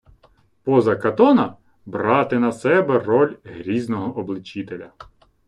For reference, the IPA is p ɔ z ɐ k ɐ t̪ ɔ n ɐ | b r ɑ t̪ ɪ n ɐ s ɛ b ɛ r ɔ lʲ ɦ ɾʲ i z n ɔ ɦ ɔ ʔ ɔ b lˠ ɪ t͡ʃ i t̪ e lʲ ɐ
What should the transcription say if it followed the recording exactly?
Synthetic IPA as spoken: p ɔ z ɐ k ɐ t̪ ɔ n ɐ | b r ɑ t̪ ɪ n ɐ s ɛ b ɛ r ɔ lʲ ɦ ɾʲ i z n ɔ ɦ ɔ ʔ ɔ b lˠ ɪ t͡ʃ i t̪ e lʲ ɐ